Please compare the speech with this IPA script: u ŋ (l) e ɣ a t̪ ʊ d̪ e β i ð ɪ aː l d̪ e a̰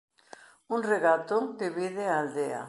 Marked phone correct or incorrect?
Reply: incorrect